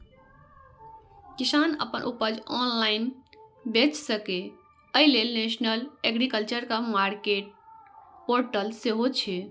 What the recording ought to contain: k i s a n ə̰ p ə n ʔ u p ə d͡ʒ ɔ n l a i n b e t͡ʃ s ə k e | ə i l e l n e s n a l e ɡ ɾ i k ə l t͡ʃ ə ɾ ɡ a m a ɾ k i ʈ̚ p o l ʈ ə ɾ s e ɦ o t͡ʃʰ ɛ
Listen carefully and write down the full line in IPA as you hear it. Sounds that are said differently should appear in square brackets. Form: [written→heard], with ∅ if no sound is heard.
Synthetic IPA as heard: k i s a n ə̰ p ə n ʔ u p ə d͡ʒ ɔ n l a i n b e t͡ʃ s ə k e | ə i l e l n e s n [a→ə] l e ɡ ɾ i k ə l t͡ʃ ə ɾ [ɡ→k] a m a ɾ k [i→e] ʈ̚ p o [l→ɾ] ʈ ə [ɾ→l] s e ɦ o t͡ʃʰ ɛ